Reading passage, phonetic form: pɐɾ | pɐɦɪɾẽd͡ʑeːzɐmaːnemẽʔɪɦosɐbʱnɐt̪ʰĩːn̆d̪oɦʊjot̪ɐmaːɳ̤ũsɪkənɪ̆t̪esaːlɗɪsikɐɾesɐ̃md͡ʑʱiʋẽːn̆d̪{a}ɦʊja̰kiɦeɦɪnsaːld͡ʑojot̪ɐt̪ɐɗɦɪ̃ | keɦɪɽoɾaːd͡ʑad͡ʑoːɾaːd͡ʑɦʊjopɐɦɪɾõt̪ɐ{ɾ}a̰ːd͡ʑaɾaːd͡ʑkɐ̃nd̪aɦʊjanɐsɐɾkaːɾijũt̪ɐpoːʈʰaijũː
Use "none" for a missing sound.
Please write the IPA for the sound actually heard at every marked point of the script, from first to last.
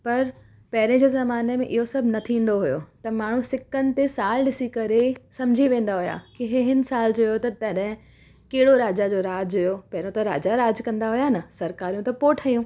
a, ɾ

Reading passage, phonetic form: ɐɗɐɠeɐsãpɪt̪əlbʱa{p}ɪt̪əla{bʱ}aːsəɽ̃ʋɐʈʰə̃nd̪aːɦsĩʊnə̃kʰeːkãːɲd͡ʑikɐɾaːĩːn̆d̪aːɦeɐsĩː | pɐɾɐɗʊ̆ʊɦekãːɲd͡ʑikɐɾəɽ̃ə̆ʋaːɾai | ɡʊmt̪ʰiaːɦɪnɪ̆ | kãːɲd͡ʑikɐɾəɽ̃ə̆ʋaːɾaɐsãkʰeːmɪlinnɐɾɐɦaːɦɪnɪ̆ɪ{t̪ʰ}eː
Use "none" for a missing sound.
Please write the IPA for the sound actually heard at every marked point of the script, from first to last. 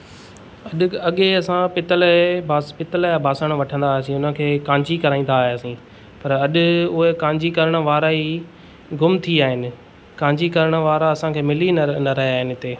p, bʱ, t̪

